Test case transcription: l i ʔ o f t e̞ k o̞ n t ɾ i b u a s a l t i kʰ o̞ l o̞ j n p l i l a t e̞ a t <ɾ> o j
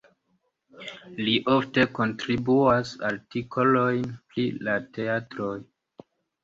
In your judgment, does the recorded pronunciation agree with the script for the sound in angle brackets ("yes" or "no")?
yes